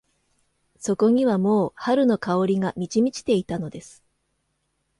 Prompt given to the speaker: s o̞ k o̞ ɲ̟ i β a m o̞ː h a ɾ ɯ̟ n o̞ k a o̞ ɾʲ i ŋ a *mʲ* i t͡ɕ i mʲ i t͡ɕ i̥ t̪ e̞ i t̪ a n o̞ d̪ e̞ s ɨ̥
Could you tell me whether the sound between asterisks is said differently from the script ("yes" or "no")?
no